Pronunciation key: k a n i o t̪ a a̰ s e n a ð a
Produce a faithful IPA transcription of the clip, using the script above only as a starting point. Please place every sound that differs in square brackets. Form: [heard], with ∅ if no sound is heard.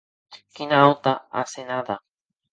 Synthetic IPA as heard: k [i] n [a] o t̪ a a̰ s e n a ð a